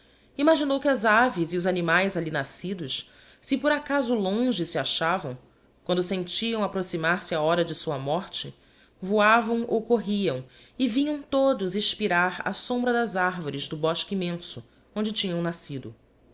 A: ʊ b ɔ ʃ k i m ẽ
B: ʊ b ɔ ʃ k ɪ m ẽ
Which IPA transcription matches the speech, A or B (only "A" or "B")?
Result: A